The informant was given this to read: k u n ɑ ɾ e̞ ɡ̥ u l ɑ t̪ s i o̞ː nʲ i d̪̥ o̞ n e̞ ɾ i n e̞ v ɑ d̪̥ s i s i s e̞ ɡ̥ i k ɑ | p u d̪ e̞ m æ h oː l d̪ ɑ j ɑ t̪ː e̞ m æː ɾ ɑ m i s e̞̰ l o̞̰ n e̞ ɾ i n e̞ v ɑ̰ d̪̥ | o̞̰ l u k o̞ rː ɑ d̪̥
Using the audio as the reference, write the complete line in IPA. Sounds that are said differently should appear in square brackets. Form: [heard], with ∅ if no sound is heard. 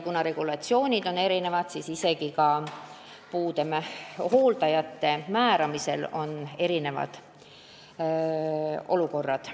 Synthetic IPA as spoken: k u n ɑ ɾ e̞ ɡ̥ u l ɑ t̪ s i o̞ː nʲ i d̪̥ o̞ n e̞ ɾ i n e̞ v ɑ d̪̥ s i s i s e̞ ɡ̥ i k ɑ | p [uː] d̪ e̞ m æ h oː l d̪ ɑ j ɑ t̪ː e̞ m æː ɾ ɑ m i s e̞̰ l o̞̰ n e̞ ɾ i n e̞ v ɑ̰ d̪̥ | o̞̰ l u k o̞ rː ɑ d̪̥

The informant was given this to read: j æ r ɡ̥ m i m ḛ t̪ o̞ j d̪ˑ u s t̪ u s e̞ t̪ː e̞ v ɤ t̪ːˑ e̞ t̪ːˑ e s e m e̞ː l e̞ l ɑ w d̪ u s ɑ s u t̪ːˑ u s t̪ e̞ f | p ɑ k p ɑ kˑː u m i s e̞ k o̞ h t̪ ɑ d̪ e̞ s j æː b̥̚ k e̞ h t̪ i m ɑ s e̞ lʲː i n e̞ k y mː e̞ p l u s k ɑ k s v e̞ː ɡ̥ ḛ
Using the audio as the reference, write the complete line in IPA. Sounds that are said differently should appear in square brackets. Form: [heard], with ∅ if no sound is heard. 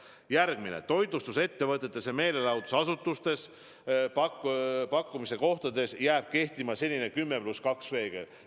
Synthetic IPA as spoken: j æ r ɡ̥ m i [n] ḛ t̪ o̞ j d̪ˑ u s t̪ u s e̞ t̪ː e̞ v ɤ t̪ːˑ e̞ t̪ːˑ e s e m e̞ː l e̞ l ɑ w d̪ u s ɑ s u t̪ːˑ u s t̪ e̞ [s] | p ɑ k p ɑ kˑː u m i s e̞ k o̞ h t̪ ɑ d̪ e̞ s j æː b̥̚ k e̞ h t̪ i m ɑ s e̞ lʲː i n e̞ k y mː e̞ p l u s k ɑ k s v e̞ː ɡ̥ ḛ

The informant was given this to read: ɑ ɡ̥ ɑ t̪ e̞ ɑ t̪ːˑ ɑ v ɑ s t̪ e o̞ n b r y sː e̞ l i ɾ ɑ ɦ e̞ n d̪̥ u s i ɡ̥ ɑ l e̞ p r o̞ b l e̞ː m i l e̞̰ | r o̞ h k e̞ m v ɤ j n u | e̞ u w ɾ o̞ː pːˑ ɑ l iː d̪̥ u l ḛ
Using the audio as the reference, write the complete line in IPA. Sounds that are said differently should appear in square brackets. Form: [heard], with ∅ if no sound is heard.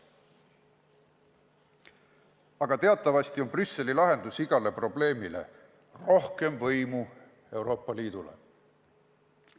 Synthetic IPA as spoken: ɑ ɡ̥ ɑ t̪ e̞ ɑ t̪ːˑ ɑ v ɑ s t̪ [i] o̞ n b r y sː e̞ l i [l] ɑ ɦ e̞ n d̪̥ u s i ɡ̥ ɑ l e̞ p r o̞ b l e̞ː m i l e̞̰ | r o̞ h k e̞ m v ɤ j [m] u | e̞ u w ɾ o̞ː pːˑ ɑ l iː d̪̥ u l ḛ

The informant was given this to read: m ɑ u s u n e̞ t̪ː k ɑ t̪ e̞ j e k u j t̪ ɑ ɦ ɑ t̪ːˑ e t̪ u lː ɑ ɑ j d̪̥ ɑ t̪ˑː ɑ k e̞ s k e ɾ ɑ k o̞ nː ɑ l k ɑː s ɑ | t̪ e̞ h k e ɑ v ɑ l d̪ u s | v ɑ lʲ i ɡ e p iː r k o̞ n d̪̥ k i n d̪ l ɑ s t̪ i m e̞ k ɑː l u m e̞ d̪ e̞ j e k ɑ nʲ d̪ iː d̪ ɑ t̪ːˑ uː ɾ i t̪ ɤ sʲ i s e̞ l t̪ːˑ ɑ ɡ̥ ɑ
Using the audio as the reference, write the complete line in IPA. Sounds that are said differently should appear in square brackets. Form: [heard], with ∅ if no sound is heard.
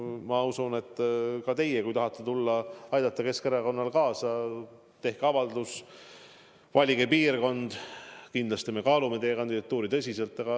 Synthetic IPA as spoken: m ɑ u s u n e̞ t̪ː k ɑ t̪ e̞ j e k u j t̪ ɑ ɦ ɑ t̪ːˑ e t̪ u lː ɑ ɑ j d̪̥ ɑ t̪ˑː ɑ k e̞ s k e ɾ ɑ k o̞ nː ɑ l k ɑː s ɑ | t̪ e̞ h k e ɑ v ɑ l d̪ u s | v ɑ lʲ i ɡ e p iː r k o̞ n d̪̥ k i n d̪ l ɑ s t̪ i m e̞ k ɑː l u m e̞ [t̪] e̞ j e k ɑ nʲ d̪ [i] d̪ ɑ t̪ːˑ uː ɾ i t̪ ɤ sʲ i s e̞ l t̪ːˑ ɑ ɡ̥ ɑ

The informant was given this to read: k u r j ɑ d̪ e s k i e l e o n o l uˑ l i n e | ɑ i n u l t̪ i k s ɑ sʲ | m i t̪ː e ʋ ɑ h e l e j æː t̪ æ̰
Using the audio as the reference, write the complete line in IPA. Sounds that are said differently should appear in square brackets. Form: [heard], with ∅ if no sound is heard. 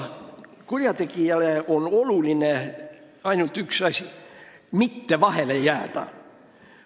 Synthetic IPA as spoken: k u r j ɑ [t̪] e [∅] k i [æ] l e o n o l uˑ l i n e | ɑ i n u l t̪ [y] k s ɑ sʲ | m i t̪ː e ʋ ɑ h e l e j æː t̪ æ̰

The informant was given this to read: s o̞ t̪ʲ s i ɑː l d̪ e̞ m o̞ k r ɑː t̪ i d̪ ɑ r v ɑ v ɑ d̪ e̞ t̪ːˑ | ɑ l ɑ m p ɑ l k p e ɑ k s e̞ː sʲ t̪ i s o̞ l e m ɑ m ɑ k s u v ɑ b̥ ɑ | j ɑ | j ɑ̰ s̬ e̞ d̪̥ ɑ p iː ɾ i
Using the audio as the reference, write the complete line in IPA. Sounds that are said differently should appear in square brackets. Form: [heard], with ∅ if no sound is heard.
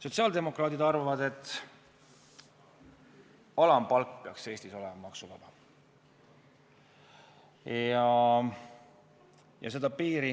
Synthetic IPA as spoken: s o̞ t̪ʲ s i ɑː l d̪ e̞ m o̞ k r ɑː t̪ i d̪ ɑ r v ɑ v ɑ d̪ e̞ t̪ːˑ | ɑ l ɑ m p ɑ l k p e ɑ k s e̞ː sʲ t̪ i s o̞ l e m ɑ m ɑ k s u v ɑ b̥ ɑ | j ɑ | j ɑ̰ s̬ e̞ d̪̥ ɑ p iː ɾ i

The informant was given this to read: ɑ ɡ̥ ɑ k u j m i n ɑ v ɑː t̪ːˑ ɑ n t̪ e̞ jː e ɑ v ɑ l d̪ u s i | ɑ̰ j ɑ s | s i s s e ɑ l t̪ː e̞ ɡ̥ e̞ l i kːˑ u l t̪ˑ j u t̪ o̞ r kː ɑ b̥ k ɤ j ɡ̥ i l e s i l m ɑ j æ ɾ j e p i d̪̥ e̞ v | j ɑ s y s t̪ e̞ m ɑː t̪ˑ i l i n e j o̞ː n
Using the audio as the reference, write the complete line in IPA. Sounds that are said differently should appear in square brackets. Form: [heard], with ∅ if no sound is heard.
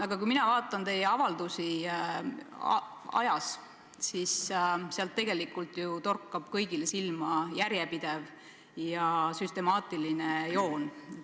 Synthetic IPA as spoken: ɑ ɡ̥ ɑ k u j m i n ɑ v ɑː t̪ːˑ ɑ n t̪ e̞ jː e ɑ v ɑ l d̪ u s i | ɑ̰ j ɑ s | s i s s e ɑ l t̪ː e̞ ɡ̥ e̞ l i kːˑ u l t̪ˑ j u t̪ o̞ r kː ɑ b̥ k ɤ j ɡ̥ i l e s i l m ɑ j æ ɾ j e p i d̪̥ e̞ v | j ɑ s y s t̪ e̞ m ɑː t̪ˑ i l i n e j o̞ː n

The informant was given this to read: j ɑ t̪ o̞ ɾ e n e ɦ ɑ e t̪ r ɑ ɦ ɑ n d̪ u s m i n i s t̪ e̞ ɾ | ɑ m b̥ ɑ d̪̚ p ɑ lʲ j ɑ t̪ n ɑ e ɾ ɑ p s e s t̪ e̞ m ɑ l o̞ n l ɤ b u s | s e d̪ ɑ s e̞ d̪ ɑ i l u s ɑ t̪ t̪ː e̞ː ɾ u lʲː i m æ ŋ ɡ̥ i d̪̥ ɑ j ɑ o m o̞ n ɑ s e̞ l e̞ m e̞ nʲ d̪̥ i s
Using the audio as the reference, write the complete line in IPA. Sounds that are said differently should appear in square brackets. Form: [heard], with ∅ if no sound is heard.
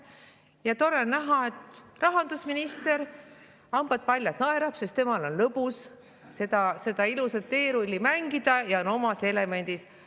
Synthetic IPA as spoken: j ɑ t̪ o̞ ɾ e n [æ] ɦ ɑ e t̪ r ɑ ɦ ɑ n d̪ u s m i n i s t̪ e̞ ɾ | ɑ m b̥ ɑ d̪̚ p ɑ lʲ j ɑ t̪ n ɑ e ɾ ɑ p s e s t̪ e̞ m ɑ l o̞ n l ɤ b u s | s e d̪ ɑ s e̞ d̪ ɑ i l u s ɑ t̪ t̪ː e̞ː ɾ u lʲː i m æ ŋ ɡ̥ i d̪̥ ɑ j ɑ o [n] o̞ [m] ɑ s e̞ l e̞ m e̞ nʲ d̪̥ i s

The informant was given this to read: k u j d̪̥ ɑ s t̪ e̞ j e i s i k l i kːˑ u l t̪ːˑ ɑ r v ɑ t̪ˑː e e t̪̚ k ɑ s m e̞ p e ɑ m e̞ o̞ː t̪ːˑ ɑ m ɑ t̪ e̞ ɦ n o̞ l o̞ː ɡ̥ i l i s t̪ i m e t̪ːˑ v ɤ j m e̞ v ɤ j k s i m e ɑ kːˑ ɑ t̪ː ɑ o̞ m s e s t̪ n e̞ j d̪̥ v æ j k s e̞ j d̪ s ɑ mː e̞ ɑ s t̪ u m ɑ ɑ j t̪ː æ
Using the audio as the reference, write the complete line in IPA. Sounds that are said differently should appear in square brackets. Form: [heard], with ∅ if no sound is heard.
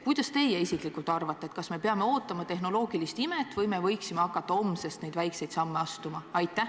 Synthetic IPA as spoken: k u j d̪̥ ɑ s t̪ e̞ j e i s i k l i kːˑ u l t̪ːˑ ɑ r v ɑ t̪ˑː e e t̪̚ k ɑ s m e̞ p e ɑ m e̞ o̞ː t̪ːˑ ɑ m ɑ t̪ e̞ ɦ n o̞ l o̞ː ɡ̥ i l i s t̪ i m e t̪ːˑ v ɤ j m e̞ v ɤ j k s i m e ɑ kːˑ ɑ t̪ː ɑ o̞ m s e s t̪ n e̞ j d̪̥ v æ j k s e̞ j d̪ s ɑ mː e̞ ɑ s t̪ u m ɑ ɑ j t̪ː æ

